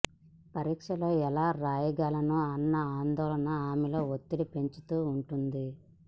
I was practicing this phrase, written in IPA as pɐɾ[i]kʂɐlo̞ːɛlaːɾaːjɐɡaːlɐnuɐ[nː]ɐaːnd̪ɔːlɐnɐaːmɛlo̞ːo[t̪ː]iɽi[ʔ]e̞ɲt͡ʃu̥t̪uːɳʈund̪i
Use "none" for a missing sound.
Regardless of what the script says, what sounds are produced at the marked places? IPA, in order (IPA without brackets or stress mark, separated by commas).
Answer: iː, nː, t̪ː, p